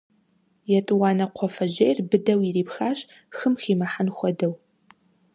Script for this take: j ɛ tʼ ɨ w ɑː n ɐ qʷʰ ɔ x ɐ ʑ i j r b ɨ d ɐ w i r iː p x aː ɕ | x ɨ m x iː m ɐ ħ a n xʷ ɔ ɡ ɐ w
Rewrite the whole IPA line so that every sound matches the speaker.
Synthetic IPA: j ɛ tʼ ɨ w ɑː n ɐ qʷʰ ɔ f ɐ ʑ e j r b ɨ d ɐ w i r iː p x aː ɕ | x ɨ m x iː m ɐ ħ a n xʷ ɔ d ɐ w